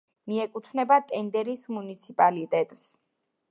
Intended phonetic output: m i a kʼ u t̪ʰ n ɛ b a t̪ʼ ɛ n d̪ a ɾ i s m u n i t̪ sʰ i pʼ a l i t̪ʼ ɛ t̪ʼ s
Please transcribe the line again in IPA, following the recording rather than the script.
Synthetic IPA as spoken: m i ɛ kʼ u t̪ʰ n ɛ b a t̪ʼ ɛ n d̪ ɛ ɾ i s m u n i t̪ sʰ i pʼ a l i t̪ʼ ɛ t̪ʼ s